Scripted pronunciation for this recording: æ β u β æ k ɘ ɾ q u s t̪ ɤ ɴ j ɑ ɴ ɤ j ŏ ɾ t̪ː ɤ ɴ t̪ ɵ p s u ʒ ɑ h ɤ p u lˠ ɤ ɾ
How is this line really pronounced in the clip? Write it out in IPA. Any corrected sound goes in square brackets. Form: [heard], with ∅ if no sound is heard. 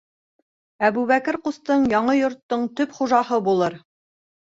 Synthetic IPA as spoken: æ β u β æ k ɘ ɾ q u s t̪ ɤ ɴ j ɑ ɴ ɤ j ŏ ɾ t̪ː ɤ ɴ t̪ ɵ p [χ] u ʒ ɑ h ɤ [b] u lˠ ɤ ɾ